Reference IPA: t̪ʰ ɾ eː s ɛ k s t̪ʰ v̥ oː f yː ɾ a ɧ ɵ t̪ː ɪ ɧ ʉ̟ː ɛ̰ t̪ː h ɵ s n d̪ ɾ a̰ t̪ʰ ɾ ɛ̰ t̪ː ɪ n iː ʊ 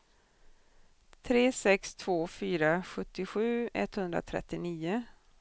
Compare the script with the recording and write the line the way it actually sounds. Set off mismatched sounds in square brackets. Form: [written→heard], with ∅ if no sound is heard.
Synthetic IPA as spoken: t̪ʰ ɾ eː s ɛ k s t̪ʰ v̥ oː f yː ɾ a ɧ ɵ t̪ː ɪ ɧ ʉ̟ː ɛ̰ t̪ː h ɵ [s→∅] n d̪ ɾ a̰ t̪ʰ ɾ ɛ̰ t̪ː ɪ n iː ʊ